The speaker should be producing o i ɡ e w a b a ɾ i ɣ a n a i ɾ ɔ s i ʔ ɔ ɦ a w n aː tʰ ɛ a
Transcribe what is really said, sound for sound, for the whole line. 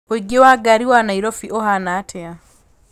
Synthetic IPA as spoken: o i ɡ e w a ɡ a ɾ i w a n a i ɾ ɔ f i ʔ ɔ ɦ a n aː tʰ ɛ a